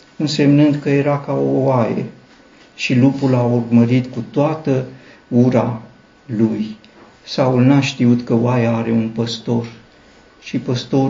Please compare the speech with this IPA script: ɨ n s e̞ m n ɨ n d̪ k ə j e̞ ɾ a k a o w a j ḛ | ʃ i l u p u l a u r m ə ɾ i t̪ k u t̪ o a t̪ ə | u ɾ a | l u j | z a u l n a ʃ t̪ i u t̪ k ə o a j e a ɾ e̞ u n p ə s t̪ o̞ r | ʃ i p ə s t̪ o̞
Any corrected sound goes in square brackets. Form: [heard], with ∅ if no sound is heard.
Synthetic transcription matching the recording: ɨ n s e̞ m n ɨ n d̪ k ə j e̞ ɾ a k a o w a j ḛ | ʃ i l u p u l a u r m ə ɾ i t̪ k u t̪ o a t̪ ə | u ɾ a | l u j | [s] a u l n a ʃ t̪ i u t̪ k ə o a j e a ɾ e̞ u n p ə s t̪ o̞ r | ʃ i p ə s t̪ o̞